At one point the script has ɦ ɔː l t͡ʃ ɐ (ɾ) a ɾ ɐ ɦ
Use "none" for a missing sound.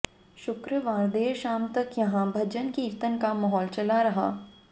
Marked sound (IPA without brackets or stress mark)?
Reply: l